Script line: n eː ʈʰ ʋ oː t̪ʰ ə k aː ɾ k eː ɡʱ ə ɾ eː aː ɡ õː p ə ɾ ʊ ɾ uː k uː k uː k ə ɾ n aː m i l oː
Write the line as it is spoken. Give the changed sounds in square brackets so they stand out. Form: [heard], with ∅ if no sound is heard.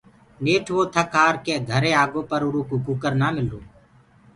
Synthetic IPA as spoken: n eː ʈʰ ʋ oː t̪ʰ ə k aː ɾ k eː ɡʱ ə ɾ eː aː ɡ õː p ə ɾ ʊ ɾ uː k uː k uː k ə ɾ n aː m [ɪ] l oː